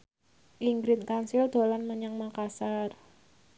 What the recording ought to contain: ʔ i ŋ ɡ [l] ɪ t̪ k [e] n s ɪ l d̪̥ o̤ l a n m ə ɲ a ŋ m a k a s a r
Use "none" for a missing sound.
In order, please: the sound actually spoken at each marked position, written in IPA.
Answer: ɾ, a

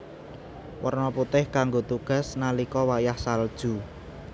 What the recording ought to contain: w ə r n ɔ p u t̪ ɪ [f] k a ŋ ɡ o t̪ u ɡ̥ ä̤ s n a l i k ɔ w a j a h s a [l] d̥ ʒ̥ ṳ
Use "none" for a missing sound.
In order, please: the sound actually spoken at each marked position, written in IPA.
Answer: h, l

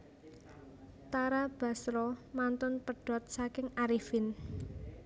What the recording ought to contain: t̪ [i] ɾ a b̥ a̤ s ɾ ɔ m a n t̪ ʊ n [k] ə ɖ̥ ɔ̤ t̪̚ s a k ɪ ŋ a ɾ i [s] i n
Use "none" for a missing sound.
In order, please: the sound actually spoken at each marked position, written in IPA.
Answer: a, p, f

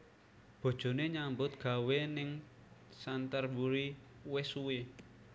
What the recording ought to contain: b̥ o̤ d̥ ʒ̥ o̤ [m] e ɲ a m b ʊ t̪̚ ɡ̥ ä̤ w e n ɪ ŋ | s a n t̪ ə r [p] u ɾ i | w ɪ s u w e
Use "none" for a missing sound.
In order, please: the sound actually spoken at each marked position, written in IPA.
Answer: n, b

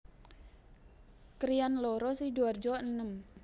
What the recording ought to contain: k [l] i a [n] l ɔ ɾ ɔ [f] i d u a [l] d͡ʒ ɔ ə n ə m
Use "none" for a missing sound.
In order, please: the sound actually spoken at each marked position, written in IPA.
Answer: ɾ, n, s, r

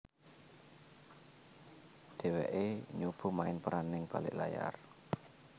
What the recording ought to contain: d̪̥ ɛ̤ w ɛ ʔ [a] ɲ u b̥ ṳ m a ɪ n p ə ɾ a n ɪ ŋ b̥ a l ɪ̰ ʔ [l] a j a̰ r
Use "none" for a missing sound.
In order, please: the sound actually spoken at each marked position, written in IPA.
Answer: e, l

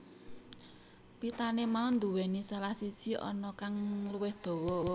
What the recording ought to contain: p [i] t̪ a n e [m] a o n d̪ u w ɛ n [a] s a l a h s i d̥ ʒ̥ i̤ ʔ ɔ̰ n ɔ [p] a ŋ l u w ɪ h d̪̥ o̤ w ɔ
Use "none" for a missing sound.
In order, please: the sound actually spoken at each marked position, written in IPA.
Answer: i, m, i, k

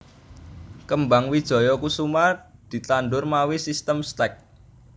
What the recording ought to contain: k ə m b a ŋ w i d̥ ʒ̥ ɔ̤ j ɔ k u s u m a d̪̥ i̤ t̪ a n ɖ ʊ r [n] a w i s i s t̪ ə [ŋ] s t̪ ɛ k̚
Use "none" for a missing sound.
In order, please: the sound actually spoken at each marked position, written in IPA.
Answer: m, m

